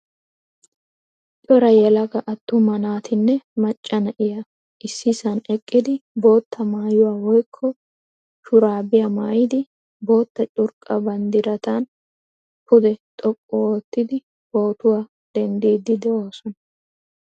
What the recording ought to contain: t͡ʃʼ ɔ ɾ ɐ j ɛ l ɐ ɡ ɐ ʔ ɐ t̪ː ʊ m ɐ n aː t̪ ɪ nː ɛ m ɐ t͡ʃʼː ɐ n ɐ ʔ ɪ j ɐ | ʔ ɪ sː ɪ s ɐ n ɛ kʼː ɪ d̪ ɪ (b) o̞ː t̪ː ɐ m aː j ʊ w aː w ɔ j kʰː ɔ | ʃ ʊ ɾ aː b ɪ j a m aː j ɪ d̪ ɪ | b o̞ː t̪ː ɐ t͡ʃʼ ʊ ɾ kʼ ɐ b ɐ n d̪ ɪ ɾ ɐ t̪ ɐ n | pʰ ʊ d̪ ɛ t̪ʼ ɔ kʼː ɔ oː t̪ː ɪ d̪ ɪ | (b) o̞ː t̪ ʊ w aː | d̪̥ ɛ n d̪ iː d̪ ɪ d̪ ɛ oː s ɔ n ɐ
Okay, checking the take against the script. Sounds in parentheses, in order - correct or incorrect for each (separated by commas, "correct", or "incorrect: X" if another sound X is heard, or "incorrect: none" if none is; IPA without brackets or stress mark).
correct, correct